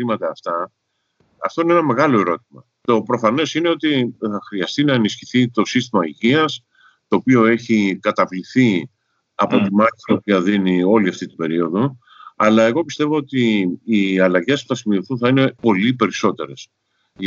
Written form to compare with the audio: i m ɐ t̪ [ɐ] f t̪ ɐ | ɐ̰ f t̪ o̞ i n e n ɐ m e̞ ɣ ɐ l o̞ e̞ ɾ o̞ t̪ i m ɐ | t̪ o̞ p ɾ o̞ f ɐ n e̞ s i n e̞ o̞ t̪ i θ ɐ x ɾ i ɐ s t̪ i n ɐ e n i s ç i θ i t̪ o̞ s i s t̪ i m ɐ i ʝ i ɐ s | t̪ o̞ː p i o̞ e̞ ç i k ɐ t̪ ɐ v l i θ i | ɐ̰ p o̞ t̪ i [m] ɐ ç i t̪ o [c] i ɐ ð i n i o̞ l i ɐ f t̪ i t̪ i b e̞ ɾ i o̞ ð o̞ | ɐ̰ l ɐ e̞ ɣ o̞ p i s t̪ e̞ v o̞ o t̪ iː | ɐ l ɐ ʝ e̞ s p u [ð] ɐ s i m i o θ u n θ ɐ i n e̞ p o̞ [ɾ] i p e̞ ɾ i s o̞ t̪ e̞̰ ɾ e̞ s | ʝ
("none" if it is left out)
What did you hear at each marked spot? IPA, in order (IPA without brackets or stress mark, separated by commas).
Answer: ɐː, m, p, θ, l